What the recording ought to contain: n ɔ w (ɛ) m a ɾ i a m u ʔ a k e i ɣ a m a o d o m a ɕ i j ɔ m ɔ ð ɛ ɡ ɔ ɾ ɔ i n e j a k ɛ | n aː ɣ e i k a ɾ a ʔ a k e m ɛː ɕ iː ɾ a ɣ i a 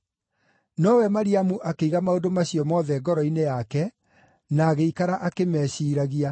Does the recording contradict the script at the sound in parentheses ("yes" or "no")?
no